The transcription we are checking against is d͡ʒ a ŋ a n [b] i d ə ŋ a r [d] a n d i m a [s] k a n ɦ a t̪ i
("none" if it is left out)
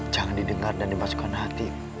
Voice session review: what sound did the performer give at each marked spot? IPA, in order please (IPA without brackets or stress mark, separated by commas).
d, d, s